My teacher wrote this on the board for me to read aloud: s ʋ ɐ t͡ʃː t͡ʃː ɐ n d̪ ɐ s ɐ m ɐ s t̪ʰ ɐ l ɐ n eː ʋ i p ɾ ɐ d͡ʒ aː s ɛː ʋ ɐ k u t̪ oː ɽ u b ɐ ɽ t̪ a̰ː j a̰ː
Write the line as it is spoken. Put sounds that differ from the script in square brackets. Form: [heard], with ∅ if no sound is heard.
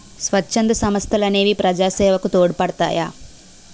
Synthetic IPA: s ʋ ɐ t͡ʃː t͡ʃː ɐ n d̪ ɐ s ɐ m ɐ s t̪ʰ ɐ l ɐ n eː ʋ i p ɾ ɐ d͡ʒ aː s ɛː ʋ ɐ k u t̪ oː ɽ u [p] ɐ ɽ t̪ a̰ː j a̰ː